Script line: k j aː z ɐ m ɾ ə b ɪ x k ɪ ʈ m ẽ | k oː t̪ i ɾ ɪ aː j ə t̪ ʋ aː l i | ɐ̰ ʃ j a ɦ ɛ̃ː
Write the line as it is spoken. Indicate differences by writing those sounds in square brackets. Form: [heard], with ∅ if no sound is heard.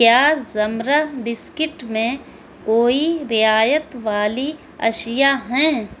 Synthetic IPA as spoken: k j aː z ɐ m ɾ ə b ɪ [s] k ɪ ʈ m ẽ | k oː [∅] i ɾ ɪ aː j ə t̪ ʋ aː l i | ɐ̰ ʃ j a ɦ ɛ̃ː